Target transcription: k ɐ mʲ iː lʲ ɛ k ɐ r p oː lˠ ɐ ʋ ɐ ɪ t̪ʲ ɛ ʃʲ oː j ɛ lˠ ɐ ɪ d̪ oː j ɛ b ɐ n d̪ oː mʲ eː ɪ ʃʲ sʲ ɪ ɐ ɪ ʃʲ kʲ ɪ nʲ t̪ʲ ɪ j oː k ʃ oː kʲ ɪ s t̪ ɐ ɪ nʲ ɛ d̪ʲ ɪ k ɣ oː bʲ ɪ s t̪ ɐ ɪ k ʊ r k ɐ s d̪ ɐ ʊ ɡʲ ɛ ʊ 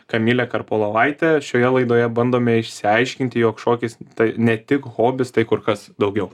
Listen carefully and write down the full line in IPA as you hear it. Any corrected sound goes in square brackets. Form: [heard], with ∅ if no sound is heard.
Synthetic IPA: k ɐ mʲ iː lʲ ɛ k ɐ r p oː lˠ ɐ ʋ ɐ ɪ t̪ʲ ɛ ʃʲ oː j ɛ lˠ ɐ ɪ d̪ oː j ɛ b ɐ n d̪ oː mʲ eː ɪ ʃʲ sʲ ɪ ɐ ɪ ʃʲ kʲ ɪ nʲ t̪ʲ ɪ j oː k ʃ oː kʲ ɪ s t̪ ɐ ɪ nʲ ɛ [t̪ʲ] ɪ k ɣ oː bʲ ɪ s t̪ ɐ ɪ k ʊ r k ɐ s d̪ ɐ ʊ ɡʲ ɛ ʊ